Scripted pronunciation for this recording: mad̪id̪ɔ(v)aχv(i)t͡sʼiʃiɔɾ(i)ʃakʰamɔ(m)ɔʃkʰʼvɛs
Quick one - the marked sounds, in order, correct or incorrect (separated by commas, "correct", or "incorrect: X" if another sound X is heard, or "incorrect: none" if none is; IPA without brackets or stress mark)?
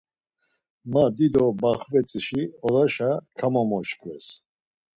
incorrect: b, incorrect: ɛ, incorrect: a, correct